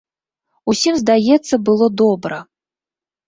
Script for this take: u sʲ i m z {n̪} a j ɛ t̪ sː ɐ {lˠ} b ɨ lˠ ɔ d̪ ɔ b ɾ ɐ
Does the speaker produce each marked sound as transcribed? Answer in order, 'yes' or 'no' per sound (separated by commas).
no, no